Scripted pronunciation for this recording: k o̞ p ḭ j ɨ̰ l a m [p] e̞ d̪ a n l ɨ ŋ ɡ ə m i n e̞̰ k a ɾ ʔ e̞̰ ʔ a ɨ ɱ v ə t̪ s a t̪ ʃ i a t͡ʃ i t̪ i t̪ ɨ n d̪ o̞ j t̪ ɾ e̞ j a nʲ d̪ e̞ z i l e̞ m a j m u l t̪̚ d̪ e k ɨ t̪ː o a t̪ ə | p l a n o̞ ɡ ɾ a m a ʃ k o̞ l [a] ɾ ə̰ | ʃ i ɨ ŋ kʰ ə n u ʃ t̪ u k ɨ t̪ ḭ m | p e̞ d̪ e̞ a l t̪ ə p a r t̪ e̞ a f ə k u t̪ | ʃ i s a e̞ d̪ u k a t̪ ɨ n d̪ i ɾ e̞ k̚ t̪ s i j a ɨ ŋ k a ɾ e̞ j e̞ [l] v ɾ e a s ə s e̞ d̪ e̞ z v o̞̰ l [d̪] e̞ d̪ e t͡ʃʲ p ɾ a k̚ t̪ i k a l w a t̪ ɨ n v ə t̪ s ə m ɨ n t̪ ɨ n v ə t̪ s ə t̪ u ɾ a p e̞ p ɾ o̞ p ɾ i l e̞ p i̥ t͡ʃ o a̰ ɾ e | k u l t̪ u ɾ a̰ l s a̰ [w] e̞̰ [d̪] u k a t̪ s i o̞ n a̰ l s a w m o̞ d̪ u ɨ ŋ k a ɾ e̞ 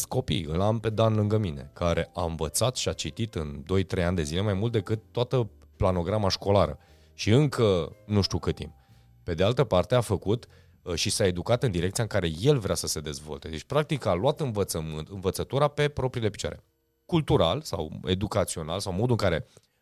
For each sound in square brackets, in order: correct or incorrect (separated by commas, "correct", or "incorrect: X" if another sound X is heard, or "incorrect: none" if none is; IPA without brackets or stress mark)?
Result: correct, correct, correct, incorrect: t̪, correct, correct